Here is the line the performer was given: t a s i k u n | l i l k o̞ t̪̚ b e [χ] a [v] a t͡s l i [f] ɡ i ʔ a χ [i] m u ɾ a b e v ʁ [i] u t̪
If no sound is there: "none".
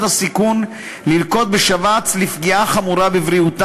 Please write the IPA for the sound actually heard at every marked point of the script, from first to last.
ʃ, v, f, a, i

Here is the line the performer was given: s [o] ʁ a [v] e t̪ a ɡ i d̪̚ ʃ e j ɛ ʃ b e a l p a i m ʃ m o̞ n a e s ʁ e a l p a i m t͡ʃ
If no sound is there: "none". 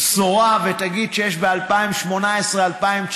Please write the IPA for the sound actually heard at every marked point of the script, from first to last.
o, v

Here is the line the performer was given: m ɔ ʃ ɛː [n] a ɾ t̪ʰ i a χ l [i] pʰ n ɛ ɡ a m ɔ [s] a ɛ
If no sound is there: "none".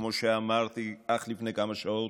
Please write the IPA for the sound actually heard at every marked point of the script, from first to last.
m, i, ʃ

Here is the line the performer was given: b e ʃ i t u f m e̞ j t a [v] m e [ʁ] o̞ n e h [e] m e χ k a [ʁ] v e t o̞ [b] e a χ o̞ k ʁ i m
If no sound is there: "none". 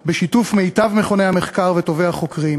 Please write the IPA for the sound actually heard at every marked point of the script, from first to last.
v, χ, a, ʁ, v

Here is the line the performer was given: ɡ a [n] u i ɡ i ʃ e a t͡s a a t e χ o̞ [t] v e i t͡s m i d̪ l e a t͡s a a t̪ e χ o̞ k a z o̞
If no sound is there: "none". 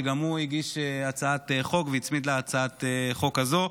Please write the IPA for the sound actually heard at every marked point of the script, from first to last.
m, k

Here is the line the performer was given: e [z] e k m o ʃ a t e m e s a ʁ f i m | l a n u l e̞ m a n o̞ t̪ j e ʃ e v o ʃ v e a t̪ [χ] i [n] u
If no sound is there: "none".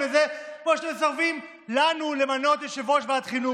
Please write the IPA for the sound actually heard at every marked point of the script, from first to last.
z, χ, n

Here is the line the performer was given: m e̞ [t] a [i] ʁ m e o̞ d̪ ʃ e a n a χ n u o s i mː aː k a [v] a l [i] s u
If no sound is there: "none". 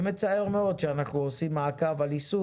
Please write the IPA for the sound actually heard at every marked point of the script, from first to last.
t͡s, e, v, i

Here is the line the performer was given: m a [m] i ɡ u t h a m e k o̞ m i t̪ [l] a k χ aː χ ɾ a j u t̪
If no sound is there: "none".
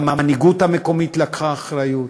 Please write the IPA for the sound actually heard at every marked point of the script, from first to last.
n, l

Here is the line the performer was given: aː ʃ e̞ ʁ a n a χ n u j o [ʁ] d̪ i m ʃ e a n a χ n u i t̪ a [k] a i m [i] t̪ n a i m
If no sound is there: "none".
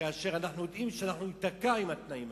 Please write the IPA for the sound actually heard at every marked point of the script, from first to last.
none, k, a

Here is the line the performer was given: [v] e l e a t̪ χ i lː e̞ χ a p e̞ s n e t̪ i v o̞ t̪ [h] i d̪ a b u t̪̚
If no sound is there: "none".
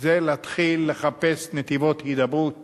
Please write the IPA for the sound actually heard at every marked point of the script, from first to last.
z, h

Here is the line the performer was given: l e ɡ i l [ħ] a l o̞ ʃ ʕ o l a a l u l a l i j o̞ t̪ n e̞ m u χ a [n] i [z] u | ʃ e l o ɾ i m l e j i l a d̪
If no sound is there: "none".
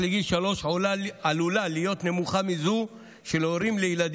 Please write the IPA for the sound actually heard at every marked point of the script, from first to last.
ʃ, m, z

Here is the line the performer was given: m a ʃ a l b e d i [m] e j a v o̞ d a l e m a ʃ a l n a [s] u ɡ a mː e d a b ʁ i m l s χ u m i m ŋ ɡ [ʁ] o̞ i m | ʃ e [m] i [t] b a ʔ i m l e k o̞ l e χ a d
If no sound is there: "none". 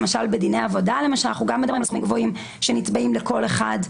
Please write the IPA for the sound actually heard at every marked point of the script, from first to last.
n, χ, v, n, t

